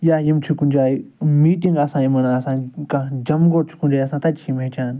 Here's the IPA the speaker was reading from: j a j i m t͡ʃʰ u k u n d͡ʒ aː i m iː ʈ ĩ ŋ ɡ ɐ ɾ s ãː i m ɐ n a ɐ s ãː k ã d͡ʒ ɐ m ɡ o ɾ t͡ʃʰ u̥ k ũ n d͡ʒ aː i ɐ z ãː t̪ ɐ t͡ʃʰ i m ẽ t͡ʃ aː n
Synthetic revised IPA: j a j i m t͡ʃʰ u k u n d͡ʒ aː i m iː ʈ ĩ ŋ ɡ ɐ s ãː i m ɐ n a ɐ s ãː k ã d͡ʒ ɐ m ɡ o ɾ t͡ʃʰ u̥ k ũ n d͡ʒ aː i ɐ s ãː t̪ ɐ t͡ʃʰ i m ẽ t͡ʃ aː n